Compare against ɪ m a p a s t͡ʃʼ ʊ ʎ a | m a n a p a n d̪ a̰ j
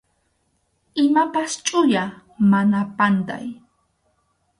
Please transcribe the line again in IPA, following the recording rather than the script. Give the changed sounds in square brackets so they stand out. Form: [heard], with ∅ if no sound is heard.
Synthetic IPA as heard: ɪ m a p a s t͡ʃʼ ʊ [j] a | m a n a p a n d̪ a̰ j